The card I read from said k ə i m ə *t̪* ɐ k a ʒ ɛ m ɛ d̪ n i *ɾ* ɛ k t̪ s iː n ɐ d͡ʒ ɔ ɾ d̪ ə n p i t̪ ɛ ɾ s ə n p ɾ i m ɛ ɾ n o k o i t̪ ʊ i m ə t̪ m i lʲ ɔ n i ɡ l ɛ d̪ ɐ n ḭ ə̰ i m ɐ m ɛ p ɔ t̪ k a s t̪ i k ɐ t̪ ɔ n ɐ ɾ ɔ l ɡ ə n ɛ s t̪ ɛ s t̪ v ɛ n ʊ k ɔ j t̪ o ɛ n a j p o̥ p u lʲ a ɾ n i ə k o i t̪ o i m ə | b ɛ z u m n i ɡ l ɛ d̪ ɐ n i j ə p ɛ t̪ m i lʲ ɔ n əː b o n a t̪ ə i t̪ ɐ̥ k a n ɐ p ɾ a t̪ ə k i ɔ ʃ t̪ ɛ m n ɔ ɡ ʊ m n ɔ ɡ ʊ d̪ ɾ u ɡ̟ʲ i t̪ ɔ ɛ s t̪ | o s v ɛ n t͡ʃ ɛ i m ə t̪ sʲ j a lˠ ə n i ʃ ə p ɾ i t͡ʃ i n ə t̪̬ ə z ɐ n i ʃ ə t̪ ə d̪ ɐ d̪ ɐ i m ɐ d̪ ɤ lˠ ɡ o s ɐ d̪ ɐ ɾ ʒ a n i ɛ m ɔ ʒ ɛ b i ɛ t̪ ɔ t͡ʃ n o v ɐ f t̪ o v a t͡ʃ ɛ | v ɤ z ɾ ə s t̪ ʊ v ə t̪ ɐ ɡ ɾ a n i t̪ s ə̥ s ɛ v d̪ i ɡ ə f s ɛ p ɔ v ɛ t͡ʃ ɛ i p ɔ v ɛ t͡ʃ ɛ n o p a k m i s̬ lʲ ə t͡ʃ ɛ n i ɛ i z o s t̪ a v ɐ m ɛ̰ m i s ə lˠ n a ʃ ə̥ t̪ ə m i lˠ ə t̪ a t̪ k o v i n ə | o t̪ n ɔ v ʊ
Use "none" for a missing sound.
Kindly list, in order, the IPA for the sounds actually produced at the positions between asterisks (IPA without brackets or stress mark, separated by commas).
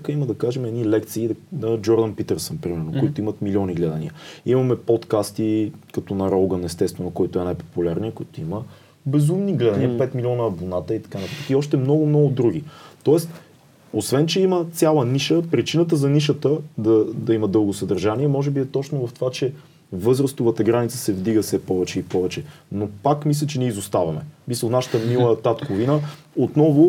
d̪, l